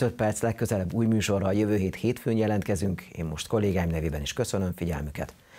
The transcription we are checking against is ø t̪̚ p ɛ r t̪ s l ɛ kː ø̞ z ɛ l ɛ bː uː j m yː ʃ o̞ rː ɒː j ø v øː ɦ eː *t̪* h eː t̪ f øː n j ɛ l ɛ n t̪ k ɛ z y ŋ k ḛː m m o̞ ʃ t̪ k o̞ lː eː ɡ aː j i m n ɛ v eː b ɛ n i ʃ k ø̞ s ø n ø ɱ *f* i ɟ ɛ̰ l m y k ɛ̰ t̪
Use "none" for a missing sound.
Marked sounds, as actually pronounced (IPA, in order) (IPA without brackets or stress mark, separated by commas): t̪, f